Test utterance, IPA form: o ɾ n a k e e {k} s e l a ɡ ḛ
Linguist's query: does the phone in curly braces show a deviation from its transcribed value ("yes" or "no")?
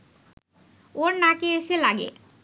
yes